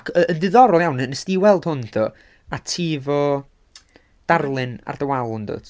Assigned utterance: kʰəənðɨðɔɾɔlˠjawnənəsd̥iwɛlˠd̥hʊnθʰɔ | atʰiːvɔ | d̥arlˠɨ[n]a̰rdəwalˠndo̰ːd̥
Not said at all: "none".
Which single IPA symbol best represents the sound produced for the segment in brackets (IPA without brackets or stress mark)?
n